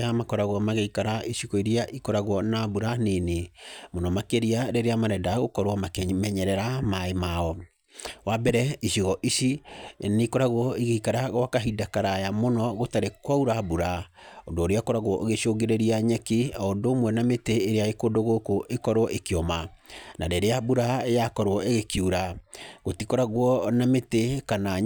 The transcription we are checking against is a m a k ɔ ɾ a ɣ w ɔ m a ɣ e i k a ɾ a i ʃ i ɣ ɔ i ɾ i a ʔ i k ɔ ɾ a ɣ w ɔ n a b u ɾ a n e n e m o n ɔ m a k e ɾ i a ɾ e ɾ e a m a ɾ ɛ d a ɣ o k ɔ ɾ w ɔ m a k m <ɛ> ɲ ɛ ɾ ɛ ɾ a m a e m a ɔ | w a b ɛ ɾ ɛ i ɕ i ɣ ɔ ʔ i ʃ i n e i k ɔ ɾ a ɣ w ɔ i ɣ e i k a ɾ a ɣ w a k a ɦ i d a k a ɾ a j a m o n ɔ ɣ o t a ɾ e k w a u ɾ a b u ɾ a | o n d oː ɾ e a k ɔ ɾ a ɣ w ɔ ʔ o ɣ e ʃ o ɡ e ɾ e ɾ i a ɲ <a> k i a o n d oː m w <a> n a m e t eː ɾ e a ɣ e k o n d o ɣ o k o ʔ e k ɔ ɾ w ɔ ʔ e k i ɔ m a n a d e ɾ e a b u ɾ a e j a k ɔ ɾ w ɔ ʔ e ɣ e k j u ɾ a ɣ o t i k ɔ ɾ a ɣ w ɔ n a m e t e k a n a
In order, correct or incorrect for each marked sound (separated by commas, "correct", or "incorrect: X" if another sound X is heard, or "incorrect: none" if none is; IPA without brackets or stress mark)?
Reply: correct, incorrect: ɛ, incorrect: ɛ